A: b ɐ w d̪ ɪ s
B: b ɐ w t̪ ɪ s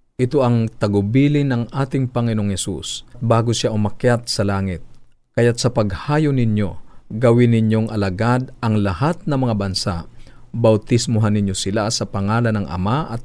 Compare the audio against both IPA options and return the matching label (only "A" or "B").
B